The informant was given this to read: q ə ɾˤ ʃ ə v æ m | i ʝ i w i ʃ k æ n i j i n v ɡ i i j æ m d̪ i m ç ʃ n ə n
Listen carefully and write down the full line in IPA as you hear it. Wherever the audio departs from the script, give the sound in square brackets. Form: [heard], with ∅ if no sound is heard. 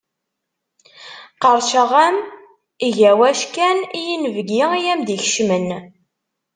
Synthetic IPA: q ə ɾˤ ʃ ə [ʁ] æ m | i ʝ [æ] w [æ] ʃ k æ n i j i n v ɡ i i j æ m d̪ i [∅] ç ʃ [m] ə n